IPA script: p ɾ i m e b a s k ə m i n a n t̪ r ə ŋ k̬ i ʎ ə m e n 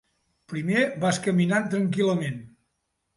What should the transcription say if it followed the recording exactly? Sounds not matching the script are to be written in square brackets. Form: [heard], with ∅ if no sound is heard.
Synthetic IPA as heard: p ɾ i m e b a s k ə m i n a n t̪ [ɾ] ə ŋ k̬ i [l] ə m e n